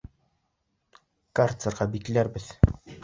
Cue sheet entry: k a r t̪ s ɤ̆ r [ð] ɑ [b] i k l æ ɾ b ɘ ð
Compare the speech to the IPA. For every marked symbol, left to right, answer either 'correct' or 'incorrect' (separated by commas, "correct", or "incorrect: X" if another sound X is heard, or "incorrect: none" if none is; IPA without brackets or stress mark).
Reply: incorrect: ʁ, correct